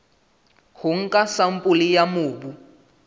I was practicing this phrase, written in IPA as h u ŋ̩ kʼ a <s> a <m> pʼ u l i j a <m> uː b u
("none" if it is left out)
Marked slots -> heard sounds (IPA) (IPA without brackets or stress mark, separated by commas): s, m, m